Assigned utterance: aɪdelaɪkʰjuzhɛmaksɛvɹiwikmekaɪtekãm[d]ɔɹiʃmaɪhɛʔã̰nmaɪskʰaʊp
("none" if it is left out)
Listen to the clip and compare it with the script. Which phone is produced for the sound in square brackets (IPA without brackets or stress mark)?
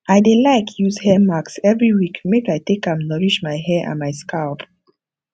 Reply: n